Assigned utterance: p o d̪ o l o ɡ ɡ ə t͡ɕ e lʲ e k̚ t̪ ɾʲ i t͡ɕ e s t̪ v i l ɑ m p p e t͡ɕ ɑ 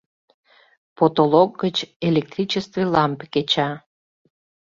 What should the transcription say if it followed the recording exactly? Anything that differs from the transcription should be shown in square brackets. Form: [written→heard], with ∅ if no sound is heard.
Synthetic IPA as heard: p o [d̪→t̪] o l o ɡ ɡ ə t͡ɕ e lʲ e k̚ t̪ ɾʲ i t͡ɕ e s t̪ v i l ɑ m p [p→k] e t͡ɕ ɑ